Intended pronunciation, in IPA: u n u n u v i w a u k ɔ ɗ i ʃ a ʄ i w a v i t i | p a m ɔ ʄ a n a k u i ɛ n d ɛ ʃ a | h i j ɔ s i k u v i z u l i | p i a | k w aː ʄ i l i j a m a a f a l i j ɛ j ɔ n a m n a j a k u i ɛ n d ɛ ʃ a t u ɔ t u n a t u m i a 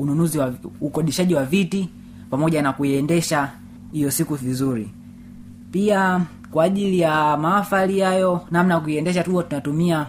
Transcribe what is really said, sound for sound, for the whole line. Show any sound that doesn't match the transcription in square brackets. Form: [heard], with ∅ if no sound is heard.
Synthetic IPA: u n u n u [z] i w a u k ɔ ɗ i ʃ a ʄ i w a v i t i | p a m ɔ ʄ a n a k u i ɛ n d ɛ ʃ a | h i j ɔ s i k u v i z u [ɾ] i | p i a | k w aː ʄ i l i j a m a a f a l i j [a] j ɔ n a m n a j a k u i ɛ n d ɛ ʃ a t u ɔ t u n a t u m i a